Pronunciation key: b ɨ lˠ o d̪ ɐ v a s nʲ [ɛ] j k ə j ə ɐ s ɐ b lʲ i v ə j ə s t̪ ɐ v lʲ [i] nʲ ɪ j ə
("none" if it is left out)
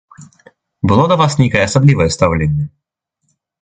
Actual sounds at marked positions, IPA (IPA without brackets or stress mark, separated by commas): e, e